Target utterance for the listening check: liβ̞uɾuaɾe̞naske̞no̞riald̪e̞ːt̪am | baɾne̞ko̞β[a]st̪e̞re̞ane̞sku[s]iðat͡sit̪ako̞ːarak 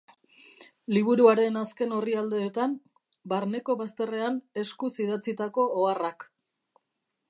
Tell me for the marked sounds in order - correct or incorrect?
correct, correct

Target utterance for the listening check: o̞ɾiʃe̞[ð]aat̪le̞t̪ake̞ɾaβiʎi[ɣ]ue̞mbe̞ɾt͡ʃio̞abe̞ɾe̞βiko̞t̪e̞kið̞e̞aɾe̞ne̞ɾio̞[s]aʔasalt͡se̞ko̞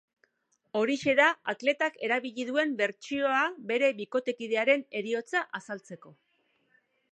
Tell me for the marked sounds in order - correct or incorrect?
correct, incorrect: ð, incorrect: t͡s

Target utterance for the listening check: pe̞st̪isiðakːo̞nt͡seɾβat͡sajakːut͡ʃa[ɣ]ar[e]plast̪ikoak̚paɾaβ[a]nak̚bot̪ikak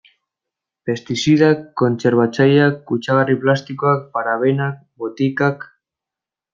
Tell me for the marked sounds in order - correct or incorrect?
correct, incorrect: i, incorrect: e

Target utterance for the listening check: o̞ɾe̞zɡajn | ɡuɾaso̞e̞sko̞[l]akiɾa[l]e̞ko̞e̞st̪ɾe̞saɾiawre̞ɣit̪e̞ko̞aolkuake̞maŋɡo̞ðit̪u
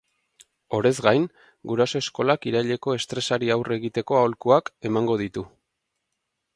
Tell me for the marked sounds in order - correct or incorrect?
correct, incorrect: ʎ

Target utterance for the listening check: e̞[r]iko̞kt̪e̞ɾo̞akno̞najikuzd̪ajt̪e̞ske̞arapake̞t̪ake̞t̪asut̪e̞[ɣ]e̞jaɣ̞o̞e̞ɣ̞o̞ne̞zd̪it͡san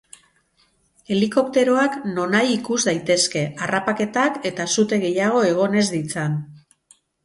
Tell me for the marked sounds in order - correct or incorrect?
incorrect: l, correct

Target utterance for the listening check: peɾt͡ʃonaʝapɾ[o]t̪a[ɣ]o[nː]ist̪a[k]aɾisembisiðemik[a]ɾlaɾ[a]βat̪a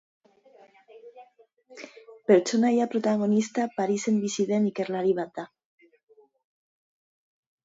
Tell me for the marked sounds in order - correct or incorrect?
correct, correct, incorrect: n, incorrect: p, incorrect: e, incorrect: i

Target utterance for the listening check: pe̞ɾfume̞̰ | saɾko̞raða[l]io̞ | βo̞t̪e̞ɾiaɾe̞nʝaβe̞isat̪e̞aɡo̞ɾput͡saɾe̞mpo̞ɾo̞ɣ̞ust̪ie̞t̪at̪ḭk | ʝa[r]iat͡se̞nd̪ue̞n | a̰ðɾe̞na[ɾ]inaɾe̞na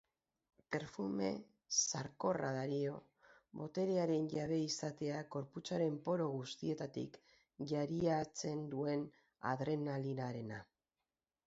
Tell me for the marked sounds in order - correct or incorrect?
incorrect: ɾ, incorrect: ɾ, incorrect: l

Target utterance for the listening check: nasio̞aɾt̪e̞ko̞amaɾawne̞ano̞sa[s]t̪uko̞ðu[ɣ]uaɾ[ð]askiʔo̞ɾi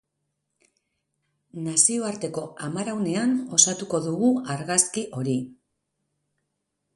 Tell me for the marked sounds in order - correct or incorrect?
incorrect: none, correct, incorrect: ɣ

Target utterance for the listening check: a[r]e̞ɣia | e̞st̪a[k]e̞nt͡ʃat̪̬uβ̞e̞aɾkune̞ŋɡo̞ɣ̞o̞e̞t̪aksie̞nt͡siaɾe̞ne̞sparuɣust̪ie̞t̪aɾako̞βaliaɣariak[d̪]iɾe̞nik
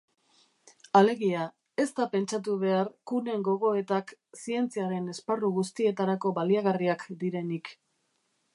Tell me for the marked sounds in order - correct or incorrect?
incorrect: l, incorrect: p, correct

